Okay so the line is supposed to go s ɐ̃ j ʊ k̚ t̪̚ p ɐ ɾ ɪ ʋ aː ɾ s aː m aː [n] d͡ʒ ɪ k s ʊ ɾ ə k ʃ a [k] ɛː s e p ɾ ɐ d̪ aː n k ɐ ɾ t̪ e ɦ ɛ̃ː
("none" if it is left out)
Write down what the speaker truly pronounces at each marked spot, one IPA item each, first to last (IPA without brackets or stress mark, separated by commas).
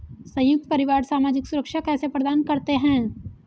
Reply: none, k